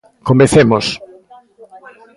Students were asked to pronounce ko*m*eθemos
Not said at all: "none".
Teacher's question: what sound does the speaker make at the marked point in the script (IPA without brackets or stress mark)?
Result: m